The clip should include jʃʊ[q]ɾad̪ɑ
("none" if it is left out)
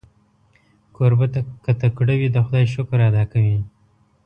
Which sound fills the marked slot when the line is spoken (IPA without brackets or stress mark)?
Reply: k